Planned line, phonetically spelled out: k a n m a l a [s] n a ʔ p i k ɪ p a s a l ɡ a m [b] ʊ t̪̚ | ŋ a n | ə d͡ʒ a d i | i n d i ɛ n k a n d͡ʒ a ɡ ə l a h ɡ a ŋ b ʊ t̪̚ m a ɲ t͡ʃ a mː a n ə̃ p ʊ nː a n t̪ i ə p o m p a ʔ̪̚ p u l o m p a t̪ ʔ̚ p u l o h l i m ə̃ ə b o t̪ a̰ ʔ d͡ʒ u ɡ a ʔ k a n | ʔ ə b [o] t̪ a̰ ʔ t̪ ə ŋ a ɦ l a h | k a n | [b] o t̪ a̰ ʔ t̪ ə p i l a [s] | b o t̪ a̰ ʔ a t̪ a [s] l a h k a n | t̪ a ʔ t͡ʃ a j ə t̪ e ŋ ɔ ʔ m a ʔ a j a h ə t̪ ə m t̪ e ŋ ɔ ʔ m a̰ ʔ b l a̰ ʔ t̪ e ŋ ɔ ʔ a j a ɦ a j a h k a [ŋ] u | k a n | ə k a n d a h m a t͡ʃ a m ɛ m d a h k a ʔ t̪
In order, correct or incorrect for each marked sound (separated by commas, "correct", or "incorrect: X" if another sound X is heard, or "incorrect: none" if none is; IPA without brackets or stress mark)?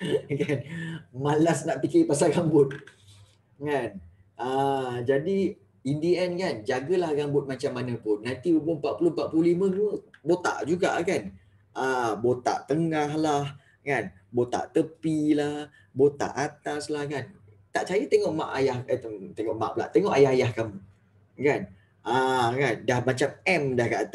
correct, correct, correct, correct, incorrect: h, correct, incorrect: m